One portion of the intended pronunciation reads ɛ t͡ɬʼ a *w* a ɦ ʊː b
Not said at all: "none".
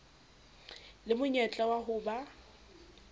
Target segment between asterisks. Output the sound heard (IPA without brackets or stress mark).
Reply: w